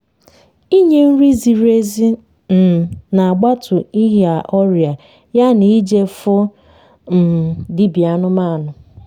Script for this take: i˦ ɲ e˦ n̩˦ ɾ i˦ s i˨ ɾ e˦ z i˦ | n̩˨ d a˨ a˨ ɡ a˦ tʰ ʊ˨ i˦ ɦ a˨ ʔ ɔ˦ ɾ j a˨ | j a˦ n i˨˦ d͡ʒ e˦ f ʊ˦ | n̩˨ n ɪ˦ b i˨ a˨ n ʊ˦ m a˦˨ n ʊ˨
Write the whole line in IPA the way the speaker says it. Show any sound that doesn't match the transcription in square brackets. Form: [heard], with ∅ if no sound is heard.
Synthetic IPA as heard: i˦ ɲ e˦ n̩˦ ɾ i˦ [z] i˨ ɾ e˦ z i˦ | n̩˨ [n] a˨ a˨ [ɡ͡b] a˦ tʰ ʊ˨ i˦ ɦ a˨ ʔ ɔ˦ ɾ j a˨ | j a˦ n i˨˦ d͡ʒ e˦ f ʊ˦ | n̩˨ [d] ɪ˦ b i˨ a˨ n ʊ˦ m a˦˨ n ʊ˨